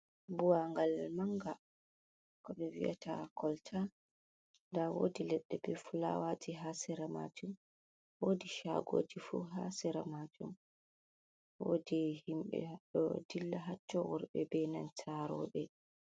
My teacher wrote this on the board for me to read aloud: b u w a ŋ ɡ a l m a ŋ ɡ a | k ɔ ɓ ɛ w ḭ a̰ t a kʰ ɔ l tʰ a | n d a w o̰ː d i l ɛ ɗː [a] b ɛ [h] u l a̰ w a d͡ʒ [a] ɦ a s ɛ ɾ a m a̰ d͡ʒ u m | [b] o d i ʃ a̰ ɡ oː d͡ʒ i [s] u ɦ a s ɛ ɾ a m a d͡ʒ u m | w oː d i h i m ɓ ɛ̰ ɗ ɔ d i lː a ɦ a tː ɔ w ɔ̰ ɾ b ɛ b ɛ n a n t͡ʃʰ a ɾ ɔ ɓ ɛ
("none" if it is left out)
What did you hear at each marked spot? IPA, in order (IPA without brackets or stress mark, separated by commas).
ɛ, f, i, w, f